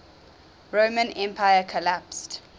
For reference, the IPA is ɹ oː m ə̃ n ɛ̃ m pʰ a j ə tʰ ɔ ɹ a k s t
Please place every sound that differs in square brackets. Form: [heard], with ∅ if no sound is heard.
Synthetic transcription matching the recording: ɹ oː m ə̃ n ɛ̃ m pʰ a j ə [kʰ] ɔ [l] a [p] s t